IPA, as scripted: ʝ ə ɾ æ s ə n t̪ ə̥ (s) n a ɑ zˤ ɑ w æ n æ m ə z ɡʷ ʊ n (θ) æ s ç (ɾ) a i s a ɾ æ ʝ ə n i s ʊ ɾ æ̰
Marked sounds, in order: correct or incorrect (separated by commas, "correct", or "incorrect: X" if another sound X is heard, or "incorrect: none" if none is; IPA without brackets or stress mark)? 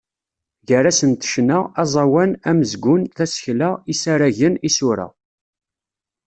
incorrect: ʃ, correct, incorrect: l